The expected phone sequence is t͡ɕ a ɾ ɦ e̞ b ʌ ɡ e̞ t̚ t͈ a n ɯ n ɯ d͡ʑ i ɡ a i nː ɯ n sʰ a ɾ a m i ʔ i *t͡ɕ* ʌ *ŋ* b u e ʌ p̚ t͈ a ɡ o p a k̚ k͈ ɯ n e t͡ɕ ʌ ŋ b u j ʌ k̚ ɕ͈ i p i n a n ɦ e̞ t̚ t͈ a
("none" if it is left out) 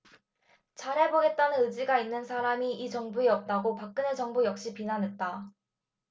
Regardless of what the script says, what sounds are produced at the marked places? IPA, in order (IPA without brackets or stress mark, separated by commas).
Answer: t͡ɕ, ŋ